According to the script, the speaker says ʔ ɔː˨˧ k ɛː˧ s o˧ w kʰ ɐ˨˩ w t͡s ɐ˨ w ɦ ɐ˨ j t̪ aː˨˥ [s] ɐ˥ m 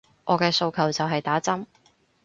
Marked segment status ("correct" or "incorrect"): incorrect